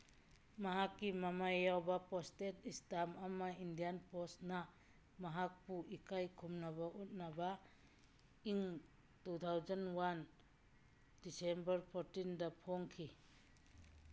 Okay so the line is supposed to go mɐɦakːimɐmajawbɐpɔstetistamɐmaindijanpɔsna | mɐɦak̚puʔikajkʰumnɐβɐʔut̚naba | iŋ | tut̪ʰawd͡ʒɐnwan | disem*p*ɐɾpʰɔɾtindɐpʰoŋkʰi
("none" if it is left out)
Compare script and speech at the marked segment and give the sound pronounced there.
b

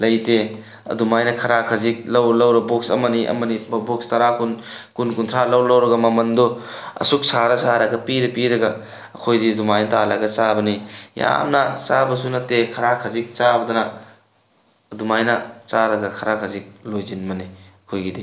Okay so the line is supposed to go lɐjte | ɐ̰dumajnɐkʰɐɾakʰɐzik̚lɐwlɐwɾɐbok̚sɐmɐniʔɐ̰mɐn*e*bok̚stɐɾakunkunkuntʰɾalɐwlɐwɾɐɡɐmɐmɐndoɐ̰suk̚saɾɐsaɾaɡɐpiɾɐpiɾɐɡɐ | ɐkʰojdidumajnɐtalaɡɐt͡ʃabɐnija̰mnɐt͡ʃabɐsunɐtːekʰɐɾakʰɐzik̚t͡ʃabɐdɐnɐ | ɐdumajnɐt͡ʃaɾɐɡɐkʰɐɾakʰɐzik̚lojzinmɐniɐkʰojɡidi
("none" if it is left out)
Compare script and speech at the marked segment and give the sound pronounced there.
i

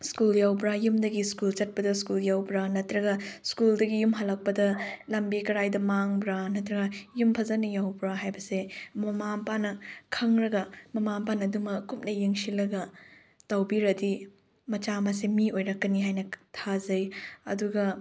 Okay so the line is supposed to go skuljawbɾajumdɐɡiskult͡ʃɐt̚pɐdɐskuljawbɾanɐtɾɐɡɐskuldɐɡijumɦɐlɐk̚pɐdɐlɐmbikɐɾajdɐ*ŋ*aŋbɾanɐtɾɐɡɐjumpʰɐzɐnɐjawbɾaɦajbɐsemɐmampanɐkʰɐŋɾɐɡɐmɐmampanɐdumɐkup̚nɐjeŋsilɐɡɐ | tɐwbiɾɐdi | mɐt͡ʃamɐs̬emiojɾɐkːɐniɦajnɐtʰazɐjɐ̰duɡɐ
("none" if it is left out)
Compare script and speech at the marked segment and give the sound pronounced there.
m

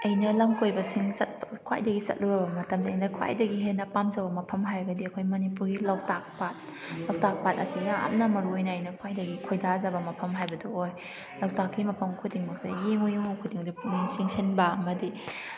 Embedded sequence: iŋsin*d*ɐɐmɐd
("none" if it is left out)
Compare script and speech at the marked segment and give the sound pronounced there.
b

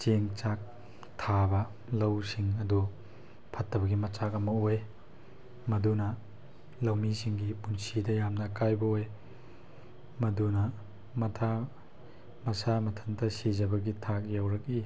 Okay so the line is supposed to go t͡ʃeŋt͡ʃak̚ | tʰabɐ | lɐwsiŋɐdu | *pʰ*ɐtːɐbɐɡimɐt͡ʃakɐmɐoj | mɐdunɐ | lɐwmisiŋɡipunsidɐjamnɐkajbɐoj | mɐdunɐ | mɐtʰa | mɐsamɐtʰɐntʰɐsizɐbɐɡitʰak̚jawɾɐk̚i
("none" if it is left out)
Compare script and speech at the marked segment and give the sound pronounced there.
pʰ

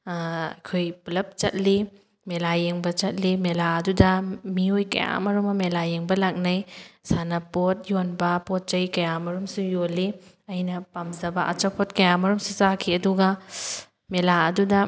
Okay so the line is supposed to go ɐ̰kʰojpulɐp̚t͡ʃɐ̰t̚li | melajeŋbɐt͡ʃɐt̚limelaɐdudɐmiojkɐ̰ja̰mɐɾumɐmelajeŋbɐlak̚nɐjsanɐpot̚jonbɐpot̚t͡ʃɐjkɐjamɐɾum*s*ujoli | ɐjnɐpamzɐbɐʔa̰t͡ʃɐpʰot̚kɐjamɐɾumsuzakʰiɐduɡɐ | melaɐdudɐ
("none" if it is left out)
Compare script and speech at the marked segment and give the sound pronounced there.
s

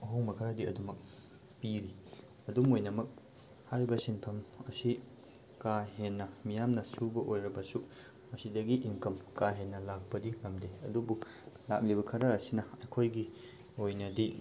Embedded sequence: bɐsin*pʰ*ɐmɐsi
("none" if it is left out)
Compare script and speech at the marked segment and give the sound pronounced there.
pʰ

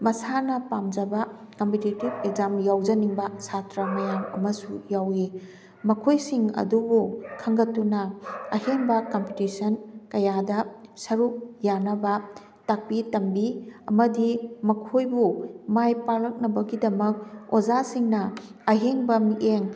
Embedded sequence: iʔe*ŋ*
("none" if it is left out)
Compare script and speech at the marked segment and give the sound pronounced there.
ŋ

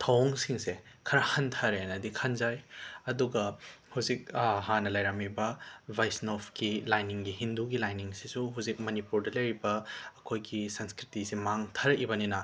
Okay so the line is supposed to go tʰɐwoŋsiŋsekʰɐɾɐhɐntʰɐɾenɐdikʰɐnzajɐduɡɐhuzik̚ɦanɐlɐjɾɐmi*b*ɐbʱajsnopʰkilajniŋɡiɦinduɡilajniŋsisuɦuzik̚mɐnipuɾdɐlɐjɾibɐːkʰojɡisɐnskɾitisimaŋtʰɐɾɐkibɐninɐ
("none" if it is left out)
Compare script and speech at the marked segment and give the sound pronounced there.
b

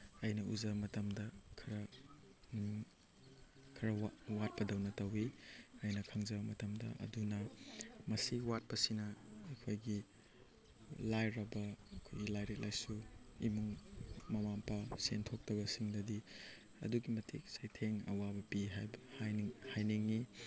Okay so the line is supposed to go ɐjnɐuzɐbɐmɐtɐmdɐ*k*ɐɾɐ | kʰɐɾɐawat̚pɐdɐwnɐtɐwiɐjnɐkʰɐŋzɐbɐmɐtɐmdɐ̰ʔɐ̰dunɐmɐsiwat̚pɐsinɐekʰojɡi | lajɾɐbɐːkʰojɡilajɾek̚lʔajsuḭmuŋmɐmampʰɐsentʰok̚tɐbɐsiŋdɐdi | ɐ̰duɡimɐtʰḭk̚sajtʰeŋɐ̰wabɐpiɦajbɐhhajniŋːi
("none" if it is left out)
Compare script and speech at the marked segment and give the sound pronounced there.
kʰ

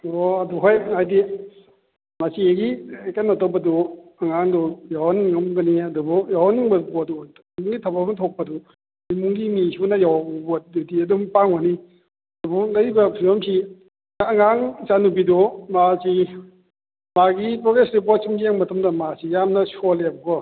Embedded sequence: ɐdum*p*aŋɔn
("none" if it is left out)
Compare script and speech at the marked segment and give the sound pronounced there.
p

